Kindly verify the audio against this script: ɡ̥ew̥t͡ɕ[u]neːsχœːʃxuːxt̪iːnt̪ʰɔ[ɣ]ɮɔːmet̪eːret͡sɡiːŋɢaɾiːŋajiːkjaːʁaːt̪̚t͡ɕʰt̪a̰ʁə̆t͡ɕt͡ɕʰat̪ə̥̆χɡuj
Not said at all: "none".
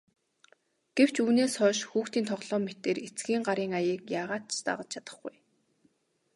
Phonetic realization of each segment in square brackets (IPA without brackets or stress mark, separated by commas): uː, ʁ